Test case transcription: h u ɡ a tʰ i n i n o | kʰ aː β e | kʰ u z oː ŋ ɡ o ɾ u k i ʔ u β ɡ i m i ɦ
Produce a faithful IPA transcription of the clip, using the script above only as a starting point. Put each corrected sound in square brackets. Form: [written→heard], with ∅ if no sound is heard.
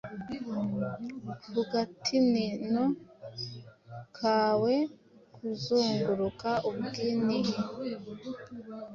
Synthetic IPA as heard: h u ɡ a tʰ i n i n o | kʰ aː [β→w] e | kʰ u z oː ŋ ɡ [o→u] ɾ u k [i→a] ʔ u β ɡ i [m→n] i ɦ

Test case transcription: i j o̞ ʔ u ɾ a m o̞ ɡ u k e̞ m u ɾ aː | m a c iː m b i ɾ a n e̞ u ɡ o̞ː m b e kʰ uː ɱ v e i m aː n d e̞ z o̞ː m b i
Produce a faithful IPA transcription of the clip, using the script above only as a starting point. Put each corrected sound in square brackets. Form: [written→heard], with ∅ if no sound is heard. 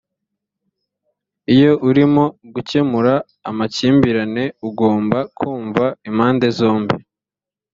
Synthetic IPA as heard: i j o̞ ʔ u ɾ [a→i] m o̞ ɡ u [k→c] e̞ m u ɾ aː | m a c iː m b i ɾ a n e̞ u ɡ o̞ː m b [e→a] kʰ uː ɱ v [e→a] i m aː n d e̞ z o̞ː m b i

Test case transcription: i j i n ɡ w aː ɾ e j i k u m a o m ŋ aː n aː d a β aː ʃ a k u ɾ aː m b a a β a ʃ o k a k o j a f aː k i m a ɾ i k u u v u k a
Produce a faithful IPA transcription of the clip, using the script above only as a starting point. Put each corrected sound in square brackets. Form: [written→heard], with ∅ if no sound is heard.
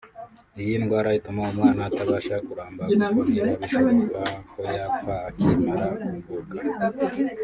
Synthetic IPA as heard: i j i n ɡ w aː ɾ [e→a] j i [k→t] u m a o m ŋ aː n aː [d→t] a β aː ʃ a k u ɾ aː m b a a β [a→i] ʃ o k a k o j a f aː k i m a ɾ [i→a] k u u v u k a

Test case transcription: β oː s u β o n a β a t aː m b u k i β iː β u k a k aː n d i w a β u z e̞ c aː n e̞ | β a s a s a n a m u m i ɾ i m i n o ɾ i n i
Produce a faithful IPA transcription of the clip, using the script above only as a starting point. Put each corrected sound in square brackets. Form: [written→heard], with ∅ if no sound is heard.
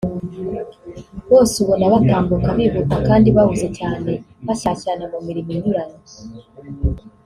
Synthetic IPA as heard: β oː s u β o n a β a t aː m b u k [i→a] β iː β u k a k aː n d i [w→β] a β u z e̞ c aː n e̞ | β a s a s a n a m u m i ɾ i m i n [o→u] ɾ [i→a] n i

